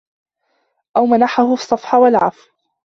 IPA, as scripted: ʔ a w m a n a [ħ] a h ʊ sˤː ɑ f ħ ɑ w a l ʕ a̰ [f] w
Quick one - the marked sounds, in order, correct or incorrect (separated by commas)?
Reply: correct, correct